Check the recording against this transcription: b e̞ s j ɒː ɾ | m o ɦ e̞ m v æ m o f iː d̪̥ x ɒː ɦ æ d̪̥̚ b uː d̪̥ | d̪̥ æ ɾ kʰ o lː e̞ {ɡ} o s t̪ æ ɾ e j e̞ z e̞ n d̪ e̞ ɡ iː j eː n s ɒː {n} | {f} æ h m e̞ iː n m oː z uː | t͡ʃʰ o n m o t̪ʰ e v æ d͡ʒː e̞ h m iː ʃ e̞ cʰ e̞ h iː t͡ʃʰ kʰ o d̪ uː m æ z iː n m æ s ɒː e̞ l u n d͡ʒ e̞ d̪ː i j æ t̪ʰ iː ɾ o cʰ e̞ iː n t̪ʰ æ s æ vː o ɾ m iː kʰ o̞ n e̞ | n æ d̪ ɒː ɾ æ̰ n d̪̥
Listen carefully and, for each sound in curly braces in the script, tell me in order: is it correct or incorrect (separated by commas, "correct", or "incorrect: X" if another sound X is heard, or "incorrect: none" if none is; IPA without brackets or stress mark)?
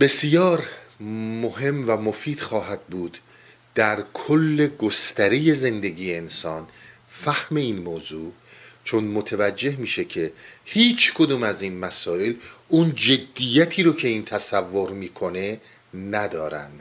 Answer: correct, correct, correct